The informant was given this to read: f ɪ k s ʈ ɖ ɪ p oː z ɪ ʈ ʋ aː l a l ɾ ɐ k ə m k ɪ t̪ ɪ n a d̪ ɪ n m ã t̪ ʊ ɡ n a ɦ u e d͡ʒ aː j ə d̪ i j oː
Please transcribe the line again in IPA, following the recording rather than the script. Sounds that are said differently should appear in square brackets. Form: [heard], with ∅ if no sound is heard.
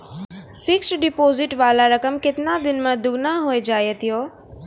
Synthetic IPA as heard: f ɪ k s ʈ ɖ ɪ p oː z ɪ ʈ ʋ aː l a [∅] ɾ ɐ k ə m k ɪ t̪ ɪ n a d̪ ɪ n m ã [d̪] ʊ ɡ n a ɦ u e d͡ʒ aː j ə [t̪] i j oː